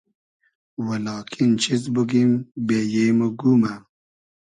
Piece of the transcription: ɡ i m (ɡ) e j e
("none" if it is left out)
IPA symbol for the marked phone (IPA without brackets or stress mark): b